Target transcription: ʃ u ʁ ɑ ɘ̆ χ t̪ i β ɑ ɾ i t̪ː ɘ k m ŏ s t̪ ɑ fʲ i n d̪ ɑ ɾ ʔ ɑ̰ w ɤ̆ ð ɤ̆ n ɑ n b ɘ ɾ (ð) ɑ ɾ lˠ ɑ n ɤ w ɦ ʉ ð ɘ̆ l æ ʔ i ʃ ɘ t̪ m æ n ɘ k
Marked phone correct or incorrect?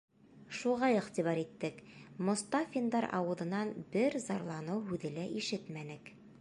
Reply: incorrect